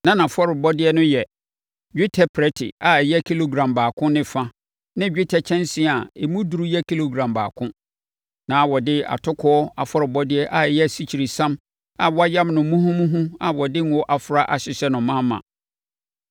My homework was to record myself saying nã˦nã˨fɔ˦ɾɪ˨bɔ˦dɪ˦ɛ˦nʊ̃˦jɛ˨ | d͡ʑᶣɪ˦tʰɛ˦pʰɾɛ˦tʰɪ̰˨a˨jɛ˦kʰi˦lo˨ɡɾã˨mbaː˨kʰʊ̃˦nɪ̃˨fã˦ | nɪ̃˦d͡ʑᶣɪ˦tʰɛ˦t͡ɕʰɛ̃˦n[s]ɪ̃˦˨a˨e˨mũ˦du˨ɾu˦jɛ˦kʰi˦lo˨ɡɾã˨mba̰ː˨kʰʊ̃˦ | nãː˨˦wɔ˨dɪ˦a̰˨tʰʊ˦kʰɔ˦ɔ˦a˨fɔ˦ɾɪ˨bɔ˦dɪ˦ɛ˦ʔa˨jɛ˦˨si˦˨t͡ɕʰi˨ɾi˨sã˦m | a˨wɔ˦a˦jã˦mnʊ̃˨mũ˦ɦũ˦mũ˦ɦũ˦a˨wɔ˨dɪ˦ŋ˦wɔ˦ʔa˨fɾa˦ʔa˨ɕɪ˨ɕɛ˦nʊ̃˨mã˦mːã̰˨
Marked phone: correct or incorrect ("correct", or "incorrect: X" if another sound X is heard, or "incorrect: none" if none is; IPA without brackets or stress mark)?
correct